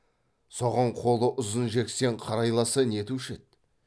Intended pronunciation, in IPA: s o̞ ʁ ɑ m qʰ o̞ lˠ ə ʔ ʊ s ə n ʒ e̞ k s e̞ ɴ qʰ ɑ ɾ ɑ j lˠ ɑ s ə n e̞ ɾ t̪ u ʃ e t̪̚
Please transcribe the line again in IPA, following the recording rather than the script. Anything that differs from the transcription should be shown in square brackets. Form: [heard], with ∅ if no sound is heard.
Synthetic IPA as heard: s o̞ ʁ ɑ [ɴ] qʰ o̞ lˠ ə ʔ ʊ [z] ə n ʒ e̞ k s e̞ ɴ qʰ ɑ ɾ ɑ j lˠ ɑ s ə n e̞ [∅] t̪ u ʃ e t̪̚